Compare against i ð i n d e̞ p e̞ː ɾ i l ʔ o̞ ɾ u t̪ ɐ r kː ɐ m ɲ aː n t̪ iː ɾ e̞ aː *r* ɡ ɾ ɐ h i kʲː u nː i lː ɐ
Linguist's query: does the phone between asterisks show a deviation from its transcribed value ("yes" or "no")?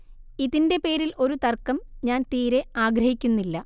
yes